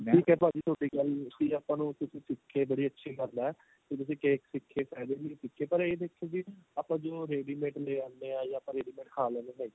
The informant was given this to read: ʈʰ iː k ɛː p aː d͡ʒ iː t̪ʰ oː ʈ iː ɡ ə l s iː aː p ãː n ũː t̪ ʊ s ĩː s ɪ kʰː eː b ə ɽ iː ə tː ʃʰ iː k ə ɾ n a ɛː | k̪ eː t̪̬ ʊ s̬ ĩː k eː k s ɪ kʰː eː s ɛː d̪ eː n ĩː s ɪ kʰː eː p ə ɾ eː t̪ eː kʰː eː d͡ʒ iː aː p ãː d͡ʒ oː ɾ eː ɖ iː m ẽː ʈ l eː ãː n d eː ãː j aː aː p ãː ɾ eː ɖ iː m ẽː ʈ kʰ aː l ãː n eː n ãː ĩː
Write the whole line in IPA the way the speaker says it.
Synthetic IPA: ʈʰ iː k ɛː p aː d͡ʒ iː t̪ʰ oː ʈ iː ɡ ə l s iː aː p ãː n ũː t̪ ʊ s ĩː s ɪ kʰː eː b ə ɽ iː ə tː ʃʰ iː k ə ɾ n a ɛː | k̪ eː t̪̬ ʊ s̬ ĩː k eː k s ɪ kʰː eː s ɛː d̪ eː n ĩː s ɪ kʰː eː p ə ɾ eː d̪ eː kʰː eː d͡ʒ iː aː p ãː d͡ʒ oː ɾ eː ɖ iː m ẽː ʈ l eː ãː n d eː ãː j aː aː p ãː ɾ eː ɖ iː m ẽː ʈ kʰ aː l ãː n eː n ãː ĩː